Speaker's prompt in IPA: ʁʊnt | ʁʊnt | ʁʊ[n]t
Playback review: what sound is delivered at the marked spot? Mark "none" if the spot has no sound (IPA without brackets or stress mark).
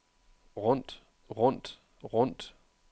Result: n